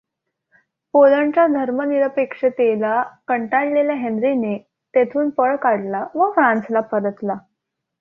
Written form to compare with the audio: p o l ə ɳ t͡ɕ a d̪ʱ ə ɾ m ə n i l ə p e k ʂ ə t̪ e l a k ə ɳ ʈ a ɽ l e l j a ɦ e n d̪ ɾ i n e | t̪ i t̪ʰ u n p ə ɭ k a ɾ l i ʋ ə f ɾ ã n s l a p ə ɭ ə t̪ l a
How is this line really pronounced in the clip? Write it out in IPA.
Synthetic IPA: p o l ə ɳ t͡ɕ a d̪ʱ ə ɾ m ə n i ɾ ə p e k ʂ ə t̪ e l a k ə ɳ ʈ a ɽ l e l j a ɦ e n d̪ ɾ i n e | t̪ e t̪ʰ uː n p ə ɭ k a ɽ l a ʋ ə f ɾ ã n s l a p ə ɾ ə t̪ l a